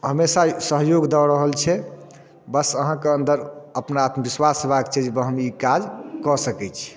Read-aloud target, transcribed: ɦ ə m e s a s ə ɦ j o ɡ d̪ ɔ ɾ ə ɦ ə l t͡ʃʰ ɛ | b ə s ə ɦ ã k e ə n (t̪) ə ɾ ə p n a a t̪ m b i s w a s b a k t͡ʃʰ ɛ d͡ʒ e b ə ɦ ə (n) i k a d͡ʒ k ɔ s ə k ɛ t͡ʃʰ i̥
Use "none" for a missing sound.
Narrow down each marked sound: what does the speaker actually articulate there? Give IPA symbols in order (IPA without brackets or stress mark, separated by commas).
d̪, m